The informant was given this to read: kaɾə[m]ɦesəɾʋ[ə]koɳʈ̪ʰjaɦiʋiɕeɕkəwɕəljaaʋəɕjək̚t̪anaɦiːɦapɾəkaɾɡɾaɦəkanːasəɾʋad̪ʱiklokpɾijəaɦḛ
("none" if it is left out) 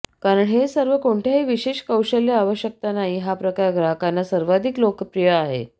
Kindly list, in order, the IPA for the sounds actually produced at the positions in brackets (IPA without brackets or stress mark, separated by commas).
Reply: ɳ, ə